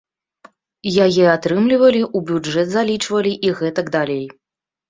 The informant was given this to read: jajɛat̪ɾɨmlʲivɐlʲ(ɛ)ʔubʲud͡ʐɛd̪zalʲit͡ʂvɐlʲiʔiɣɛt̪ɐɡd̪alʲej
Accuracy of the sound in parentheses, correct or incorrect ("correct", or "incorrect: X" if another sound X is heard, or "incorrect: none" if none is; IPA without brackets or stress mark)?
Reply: incorrect: i